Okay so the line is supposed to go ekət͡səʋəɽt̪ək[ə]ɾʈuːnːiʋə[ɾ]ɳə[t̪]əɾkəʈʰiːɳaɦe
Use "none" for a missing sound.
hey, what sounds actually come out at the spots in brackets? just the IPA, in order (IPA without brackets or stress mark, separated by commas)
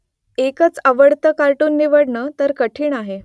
a, ɽ, t̪